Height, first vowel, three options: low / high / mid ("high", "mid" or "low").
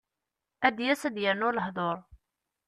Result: low